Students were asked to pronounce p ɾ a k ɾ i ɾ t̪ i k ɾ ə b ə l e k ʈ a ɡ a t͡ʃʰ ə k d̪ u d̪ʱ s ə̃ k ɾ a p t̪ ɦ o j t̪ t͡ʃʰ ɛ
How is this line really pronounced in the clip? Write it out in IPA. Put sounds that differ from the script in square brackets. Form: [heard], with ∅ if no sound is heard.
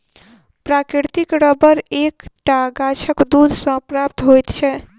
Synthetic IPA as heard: p ɾ a k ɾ i ɾ t̪ i k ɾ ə b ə [ɾ] e k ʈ a ɡ a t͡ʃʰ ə k d̪ u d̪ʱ s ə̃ [p] ɾ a p t̪ ɦ o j t̪ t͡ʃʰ ɛ